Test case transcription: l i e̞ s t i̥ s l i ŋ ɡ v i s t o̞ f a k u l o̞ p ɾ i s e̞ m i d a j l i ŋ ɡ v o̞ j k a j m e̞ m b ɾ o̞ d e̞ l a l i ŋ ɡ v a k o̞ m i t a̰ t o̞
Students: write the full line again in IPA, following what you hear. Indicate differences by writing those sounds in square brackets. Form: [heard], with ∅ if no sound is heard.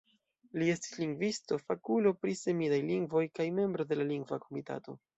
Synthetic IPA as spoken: l i e̞ s t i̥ s l i ŋ ɡ v i s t o̞ f a k u l o̞ p ɾ i s e̞ m i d a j l i ŋ ɡ v o̞ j k a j m e̞ m b ɾ o̞ d e̞ l a l i ŋ ɡ v a k o̞ m i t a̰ t o̞